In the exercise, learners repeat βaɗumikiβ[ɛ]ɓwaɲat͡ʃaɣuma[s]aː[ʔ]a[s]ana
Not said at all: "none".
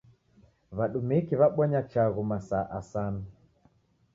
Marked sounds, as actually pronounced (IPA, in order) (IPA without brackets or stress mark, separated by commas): a, s, ʔ, s